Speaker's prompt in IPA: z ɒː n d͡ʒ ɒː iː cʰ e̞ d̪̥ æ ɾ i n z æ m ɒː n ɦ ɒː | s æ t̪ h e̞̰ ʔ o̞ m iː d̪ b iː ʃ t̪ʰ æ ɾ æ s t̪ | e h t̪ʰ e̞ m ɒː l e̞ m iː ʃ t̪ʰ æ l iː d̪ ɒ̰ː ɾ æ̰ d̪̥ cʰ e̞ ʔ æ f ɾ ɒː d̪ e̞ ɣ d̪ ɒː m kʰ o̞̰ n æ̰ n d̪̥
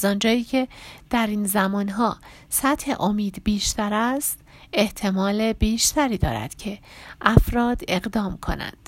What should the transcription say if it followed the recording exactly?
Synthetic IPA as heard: z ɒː n d͡ʒ ɒː iː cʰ e̞ d̪̥ æ ɾ i n z æ m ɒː n ɦ ɒː | s æ t̪ h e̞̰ ʔ o̞ m iː d̪ b iː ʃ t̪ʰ æ ɾ æ s t̪ | e h t̪ʰ e̞ m ɒː l e̞ b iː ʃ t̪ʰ æ ɾ iː d̪ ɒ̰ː ɾ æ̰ d̪̥ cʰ e̞ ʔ æ f ɾ ɒː d̪ e̞ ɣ d̪ ɒː m kʰ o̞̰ n æ̰ n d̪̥